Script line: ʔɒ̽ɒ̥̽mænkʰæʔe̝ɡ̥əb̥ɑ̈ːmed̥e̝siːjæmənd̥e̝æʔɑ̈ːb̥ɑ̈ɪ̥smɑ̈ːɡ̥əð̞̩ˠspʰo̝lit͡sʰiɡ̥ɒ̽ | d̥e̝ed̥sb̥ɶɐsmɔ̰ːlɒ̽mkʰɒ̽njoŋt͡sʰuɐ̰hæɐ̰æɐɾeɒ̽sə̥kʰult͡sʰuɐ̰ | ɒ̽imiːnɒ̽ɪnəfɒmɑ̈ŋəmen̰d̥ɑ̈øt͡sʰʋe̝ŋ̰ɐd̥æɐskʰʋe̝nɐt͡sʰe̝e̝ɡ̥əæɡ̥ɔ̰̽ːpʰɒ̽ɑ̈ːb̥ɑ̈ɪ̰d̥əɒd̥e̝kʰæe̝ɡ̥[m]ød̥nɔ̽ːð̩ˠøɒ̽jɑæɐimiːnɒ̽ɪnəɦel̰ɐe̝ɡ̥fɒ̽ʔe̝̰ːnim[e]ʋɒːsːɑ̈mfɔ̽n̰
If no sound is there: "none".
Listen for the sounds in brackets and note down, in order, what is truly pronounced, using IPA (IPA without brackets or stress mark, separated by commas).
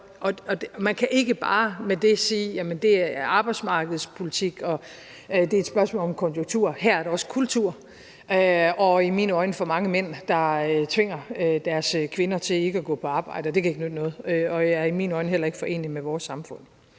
n, e